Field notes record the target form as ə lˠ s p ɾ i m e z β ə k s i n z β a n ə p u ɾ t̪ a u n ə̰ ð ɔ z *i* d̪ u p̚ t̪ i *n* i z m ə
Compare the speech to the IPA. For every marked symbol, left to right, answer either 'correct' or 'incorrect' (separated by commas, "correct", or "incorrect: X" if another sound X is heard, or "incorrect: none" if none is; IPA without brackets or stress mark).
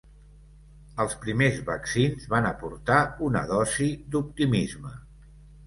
correct, incorrect: m